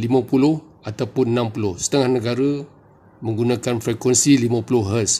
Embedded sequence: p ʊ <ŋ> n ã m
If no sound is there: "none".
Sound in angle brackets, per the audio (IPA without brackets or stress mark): n